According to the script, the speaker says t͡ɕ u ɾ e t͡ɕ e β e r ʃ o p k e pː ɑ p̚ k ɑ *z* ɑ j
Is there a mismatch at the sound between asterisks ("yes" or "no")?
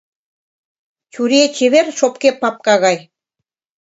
yes